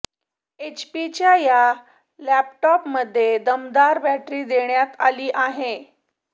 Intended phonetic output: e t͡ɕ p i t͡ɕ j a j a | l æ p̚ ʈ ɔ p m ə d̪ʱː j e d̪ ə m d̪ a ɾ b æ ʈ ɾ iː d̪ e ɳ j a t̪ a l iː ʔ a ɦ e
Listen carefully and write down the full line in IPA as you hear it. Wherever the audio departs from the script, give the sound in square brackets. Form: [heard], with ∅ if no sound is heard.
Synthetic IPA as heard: e t͡ɕ p i t͡ɕ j a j a | l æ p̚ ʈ ɔ p m ə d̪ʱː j e d̪ ə m d̪ a ɾ b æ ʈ ɾ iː d̪ e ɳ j a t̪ a l iː ʔ a ɦ e